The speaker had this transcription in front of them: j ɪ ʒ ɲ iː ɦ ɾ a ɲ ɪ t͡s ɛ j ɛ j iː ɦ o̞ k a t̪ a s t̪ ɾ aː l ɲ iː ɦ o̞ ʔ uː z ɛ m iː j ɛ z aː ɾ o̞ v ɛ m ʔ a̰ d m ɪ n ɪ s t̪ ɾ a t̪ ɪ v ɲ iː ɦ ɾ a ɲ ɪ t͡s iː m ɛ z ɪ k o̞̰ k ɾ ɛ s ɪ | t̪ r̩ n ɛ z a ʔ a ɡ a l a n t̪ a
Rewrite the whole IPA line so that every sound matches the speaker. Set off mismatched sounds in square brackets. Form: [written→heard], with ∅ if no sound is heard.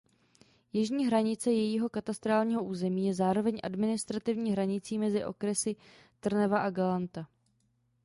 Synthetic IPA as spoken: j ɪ ʒ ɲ iː ɦ ɾ a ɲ ɪ t͡s ɛ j ɛ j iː ɦ o̞ k a t̪ a s t̪ ɾ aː l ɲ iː ɦ o̞ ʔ uː z ɛ m iː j ɛ z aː ɾ o̞ v ɛ [m→ɲ] ʔ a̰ d m ɪ n ɪ s t̪ ɾ a t̪ ɪ v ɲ iː ɦ ɾ a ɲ ɪ t͡s iː m ɛ z ɪ [k→ʔ] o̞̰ k ɾ ɛ s ɪ | t̪ r̩ n ɛ [z→v] a ʔ a ɡ a l a n t̪ a

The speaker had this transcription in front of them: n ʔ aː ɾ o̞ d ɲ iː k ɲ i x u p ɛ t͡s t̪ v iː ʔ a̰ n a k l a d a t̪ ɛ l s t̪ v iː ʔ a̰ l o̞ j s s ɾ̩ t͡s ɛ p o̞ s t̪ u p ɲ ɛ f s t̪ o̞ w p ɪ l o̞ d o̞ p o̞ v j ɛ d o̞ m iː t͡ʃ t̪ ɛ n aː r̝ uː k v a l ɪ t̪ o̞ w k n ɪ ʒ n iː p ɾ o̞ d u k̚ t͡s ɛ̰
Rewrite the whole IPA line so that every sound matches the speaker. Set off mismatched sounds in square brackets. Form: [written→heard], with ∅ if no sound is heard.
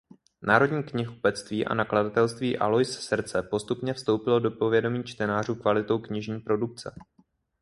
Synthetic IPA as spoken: n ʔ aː ɾ o̞ d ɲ iː k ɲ [i→ɪ] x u p ɛ t͡s t̪ v iː ʔ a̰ n a k l a d a t̪ ɛ l s t̪ v iː ʔ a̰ l o̞ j s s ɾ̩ t͡s ɛ p o̞ s t̪ u p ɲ ɛ f s t̪ o̞ w p ɪ l o̞ d o̞ p o̞ v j ɛ d o̞ m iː t͡ʃ t̪ ɛ n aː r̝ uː k v a l ɪ t̪ o̞ w k [n→ɲ] ɪ ʒ [n→ɲ] iː p ɾ o̞ d u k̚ t͡s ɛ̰

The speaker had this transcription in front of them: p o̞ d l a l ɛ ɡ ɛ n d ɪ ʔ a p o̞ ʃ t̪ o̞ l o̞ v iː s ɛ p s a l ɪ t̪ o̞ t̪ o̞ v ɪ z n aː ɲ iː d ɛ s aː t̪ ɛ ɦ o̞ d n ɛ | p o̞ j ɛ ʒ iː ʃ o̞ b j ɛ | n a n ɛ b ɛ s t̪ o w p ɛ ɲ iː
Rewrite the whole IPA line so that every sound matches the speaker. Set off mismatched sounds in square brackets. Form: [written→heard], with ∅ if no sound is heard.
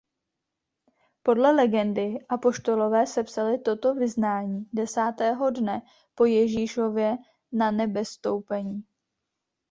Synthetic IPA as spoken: p o̞ d l [a→ɛ] l ɛ ɡ ɛ n d ɪ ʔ a p o̞ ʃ t̪ o̞ l o̞ v [iː→ɛː] s ɛ p s a l ɪ t̪ o̞ t̪ o̞ v ɪ z n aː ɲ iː d ɛ s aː t̪ [ɛ→ɛː] ɦ o̞ d n ɛ | p o̞ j ɛ ʒ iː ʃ o̞ [b→v] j ɛ | n a n ɛ b ɛ s t̪ o w p ɛ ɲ iː

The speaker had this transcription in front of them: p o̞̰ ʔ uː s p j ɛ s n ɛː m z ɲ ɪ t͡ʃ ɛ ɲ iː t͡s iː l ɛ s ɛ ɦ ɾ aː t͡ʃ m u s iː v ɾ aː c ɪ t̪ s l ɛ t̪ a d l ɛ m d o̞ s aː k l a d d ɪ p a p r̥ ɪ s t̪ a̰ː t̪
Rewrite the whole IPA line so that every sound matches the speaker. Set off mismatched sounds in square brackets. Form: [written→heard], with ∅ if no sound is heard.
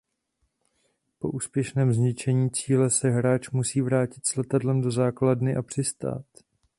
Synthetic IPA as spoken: p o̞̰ ʔ uː s p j ɛ [s→ʃ] n ɛː m z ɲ ɪ t͡ʃ ɛ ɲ iː t͡s iː l ɛ s ɛ ɦ ɾ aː t͡ʃ m u s iː v ɾ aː c ɪ t̪ s l ɛ t̪ a d l ɛ m d o̞ [s→z] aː k l a d [d→n] ɪ [p→ʔ] a p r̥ ɪ s t̪ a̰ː t̪

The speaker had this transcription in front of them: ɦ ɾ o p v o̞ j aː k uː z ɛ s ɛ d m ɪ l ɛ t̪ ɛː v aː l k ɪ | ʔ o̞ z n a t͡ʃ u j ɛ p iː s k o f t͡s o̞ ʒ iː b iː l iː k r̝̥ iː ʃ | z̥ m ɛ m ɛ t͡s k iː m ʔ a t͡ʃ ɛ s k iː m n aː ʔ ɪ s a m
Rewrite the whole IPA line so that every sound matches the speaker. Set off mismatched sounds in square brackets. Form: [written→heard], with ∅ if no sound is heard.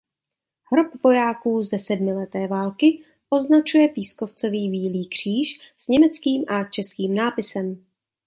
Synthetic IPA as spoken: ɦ ɾ o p v o̞ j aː k uː z ɛ s ɛ d m ɪ l ɛ t̪ ɛː v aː l k ɪ | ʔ o̞ z n a t͡ʃ u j ɛ p iː s k o f t͡s o̞ [ʒ→v] iː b iː l iː k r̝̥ iː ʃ | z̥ [m→ɲ] ɛ m ɛ t͡s k iː m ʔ a t͡ʃ ɛ s k iː m n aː [ʔ→p] ɪ s [a→ɛ] m

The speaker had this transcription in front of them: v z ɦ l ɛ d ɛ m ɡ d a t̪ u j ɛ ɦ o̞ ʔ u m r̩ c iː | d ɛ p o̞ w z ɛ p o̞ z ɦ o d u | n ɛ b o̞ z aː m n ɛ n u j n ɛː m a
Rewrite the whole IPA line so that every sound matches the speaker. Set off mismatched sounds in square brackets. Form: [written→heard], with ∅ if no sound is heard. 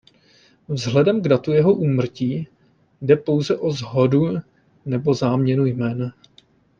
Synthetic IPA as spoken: v z ɦ l ɛ d ɛ m ɡ d a t̪ u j ɛ ɦ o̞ ʔ [u→uː] m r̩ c iː | d ɛ p o̞ w z ɛ [p→ʔ] o̞ z ɦ o d u | n ɛ b o̞ z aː m [n→ɲ] ɛ n u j [n→m] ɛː [m→n] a

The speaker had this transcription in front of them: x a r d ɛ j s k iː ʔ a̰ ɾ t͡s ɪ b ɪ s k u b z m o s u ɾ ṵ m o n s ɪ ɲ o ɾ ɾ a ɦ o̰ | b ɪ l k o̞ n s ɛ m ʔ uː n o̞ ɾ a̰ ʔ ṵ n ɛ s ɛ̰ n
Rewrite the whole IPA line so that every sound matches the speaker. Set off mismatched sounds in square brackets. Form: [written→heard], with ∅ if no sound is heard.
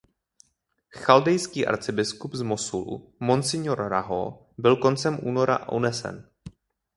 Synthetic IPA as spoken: x a [r→l] d ɛ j s k iː ʔ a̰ ɾ t͡s ɪ b ɪ s k u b z m o s u [ɾ→l] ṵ m o n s ɪ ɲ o ɾ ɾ a ɦ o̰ | b ɪ l k o̞ n [s→t͡s] ɛ m ʔ uː n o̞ ɾ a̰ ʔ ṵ n ɛ s ɛ̰ n

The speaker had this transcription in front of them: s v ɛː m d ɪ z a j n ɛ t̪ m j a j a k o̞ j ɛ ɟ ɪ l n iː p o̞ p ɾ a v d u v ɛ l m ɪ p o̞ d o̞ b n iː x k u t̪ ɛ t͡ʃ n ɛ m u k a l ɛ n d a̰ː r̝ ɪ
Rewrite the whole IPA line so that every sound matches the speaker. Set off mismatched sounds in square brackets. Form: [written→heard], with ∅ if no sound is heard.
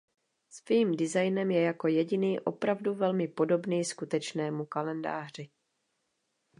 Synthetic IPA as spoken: s v [ɛː→iː] m d ɪ z a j n ɛ [t̪→∅] m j [a→ɛ] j a k o̞ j ɛ ɟ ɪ [l→∅] n iː [p→ʔ] o̞ p ɾ a v d u v ɛ l m ɪ p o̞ d o̞ b n iː [x→s] k u t̪ ɛ t͡ʃ n [ɛ→ɛː] m u k a l ɛ n d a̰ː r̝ ɪ

